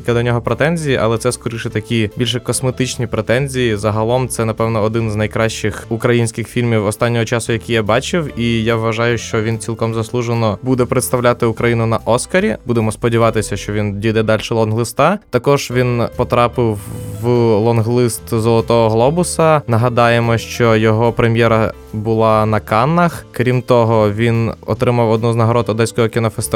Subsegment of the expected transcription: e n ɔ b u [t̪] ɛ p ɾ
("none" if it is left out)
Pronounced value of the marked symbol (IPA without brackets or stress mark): d̪